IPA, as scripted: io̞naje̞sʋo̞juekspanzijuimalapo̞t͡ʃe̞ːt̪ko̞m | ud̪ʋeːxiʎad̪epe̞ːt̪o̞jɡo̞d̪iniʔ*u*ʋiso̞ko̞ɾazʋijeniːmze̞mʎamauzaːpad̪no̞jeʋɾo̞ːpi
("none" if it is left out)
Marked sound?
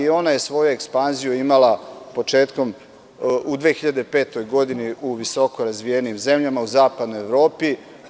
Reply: u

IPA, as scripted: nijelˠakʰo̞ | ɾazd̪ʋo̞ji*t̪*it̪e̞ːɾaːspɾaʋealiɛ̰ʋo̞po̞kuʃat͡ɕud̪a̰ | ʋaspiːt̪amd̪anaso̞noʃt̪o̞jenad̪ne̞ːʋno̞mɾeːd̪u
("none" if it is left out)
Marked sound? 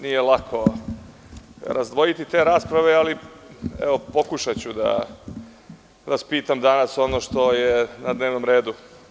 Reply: t̪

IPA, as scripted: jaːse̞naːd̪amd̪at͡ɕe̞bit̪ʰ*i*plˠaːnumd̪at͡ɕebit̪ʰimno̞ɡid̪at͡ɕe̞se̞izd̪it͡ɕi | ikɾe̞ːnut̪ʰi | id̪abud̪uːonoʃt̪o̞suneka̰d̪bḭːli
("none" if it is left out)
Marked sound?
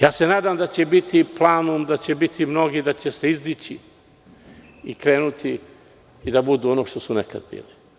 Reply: i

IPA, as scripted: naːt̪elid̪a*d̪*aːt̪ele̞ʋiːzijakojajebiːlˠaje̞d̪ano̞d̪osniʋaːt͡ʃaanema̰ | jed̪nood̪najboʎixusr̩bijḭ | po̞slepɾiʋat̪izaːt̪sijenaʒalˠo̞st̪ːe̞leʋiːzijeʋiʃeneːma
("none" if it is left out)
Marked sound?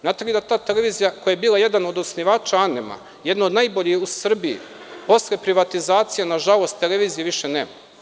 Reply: t̪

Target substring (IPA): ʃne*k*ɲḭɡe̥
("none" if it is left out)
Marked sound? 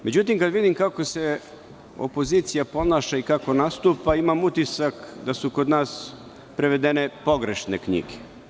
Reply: k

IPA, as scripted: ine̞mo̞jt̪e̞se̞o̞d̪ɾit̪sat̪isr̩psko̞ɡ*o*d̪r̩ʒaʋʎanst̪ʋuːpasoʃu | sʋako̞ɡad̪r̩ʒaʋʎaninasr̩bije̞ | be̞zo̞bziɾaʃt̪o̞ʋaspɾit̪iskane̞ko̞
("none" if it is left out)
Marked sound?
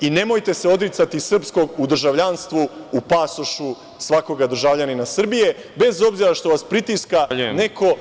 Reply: u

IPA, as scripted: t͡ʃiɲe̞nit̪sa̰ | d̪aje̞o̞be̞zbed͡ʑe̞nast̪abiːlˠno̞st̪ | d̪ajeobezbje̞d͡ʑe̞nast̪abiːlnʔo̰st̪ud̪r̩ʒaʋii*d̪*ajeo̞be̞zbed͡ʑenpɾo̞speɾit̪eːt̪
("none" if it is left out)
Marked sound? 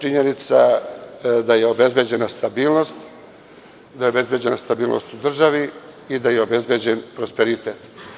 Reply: d̪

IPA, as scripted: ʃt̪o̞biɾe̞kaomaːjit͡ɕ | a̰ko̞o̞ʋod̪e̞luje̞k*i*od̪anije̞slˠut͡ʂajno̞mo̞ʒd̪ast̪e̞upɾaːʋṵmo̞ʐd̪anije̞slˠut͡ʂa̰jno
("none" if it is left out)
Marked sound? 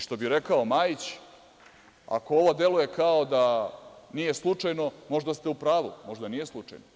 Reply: a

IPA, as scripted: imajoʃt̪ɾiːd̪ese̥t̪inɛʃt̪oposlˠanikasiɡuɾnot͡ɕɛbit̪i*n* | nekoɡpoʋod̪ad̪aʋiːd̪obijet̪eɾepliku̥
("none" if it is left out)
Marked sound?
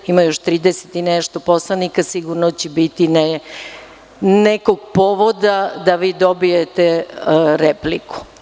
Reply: n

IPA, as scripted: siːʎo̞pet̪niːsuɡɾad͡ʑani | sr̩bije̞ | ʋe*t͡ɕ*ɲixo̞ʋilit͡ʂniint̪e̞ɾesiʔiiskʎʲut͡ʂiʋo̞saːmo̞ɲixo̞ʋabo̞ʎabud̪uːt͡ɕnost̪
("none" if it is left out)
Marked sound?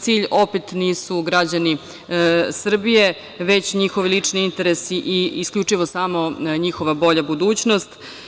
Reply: t͡ɕ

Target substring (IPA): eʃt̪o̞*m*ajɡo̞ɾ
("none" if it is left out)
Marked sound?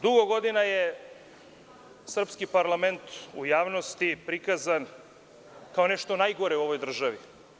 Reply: n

